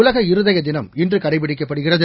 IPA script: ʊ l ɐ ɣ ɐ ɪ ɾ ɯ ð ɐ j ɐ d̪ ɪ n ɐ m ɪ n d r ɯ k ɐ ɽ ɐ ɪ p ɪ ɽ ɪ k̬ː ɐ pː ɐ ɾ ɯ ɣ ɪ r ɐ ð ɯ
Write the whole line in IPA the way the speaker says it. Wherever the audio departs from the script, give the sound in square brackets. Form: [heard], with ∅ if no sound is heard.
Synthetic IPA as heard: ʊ l ɐ ɣ ɐ ɪ ɾ ɯ ð ɐ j ɐ d̪ ɪ n ɐ m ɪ n d r ɯ k ɐ ɽ ɐ ɪ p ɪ ɽ ɪ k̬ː ɐ pː ɐ [ɽ] ɯ ɣ ɪ r ɐ ð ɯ